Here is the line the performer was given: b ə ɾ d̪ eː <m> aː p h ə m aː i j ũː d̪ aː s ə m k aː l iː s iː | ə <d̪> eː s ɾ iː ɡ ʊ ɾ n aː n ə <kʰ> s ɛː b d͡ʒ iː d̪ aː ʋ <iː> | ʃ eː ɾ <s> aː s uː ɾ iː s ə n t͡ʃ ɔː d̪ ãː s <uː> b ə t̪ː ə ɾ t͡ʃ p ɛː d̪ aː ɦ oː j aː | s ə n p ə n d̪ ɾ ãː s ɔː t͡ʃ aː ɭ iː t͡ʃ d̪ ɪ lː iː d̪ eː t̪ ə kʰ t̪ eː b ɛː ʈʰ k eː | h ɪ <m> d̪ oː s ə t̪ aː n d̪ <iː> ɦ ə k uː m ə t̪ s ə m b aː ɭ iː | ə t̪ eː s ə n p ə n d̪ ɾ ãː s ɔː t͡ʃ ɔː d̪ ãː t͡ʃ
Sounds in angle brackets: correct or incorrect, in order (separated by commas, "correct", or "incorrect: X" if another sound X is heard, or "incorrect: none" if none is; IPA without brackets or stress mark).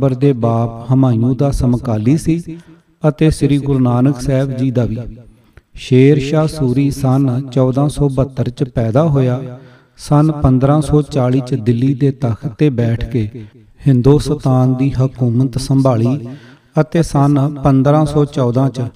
incorrect: b, incorrect: t̪, incorrect: k, correct, incorrect: ʃ, incorrect: ɔː, incorrect: n, correct